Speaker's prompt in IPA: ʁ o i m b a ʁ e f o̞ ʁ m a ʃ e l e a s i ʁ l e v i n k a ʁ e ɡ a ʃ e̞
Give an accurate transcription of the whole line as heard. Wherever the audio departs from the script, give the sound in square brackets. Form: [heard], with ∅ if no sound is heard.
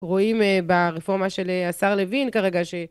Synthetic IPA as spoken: ʁ o i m b a ʁ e f o̞ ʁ m a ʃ e l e a s [a] ʁ l e v i n k a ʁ e ɡ a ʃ e̞